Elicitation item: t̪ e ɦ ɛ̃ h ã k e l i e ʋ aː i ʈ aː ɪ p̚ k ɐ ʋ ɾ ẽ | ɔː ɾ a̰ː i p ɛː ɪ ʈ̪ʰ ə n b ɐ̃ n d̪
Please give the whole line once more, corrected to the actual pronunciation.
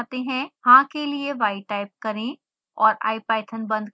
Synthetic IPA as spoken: t̪ e ɦ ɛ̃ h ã k e l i e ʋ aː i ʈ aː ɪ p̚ k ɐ ɾ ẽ | ɔː ɾ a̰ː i p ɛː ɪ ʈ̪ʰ ə n b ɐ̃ n d̪